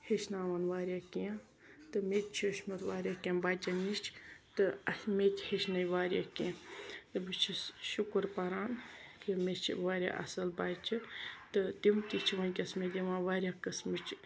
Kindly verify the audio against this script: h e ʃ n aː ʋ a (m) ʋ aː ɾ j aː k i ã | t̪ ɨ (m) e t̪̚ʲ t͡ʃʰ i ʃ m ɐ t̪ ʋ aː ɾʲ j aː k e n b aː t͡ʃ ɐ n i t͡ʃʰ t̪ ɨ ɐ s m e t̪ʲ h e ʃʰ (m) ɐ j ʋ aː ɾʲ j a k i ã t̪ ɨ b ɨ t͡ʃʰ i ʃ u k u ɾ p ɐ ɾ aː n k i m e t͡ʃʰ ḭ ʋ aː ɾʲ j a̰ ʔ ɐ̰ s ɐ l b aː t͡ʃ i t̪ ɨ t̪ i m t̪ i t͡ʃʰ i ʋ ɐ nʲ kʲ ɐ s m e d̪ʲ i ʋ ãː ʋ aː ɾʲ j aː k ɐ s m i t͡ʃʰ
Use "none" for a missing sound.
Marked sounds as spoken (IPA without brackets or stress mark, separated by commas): n, m, n